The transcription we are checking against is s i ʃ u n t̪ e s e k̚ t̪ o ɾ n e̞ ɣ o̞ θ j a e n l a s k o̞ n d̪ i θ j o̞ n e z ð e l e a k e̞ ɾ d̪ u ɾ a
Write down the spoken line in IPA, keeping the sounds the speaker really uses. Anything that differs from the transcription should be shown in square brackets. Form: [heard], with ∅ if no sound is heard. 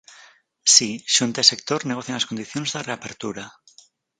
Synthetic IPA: s i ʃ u n t̪ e s e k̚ t̪ o ɾ n e̞ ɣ o̞ θ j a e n l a s k o̞ n d̪ i θ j o̞ n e z ð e [r] e a [p] e̞ ɾ [t̪] u ɾ a